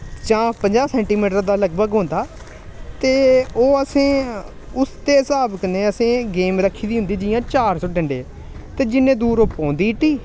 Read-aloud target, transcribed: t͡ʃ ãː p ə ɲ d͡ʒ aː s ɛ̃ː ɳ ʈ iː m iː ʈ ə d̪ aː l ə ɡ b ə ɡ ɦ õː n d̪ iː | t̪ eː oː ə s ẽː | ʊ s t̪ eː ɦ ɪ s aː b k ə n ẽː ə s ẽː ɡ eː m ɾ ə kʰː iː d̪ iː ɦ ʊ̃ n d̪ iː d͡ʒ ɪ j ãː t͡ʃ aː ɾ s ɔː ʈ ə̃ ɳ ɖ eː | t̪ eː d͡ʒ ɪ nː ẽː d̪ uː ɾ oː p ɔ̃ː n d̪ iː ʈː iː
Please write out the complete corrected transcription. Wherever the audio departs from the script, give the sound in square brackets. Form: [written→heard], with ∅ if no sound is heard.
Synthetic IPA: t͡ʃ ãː p ə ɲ d͡ʒ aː s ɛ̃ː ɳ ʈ iː m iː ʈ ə d̪ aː l ə ɡ b ə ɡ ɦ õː n d̪ [iː→aː] | t̪ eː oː ə s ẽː | ʊ s t̪ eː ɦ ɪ s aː b k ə n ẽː ə s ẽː ɡ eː m ɾ ə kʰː iː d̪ iː ɦ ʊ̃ n d̪ iː d͡ʒ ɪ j ãː t͡ʃ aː ɾ s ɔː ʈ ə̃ ɳ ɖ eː | t̪ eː d͡ʒ ɪ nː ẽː d̪ uː ɾ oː p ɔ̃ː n d̪ iː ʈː iː